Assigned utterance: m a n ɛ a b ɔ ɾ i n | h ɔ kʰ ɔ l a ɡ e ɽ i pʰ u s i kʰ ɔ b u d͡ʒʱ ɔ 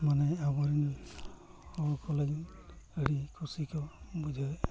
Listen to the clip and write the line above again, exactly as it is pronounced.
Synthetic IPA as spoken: m a n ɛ a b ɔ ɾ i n | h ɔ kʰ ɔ l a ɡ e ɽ i kʰ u s i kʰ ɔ b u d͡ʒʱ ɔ